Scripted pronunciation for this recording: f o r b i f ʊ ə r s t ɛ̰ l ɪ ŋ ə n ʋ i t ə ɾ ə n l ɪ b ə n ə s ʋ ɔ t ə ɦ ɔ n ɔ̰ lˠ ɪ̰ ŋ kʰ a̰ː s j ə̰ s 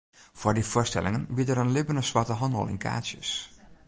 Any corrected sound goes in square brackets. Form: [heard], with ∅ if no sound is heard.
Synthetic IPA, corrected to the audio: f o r [d] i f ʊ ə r s t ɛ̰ l ɪ ŋ ə n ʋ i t ə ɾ ə n l ɪ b ə n ə s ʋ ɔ t ə ɦ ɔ n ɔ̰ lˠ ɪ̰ [n] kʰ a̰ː s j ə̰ s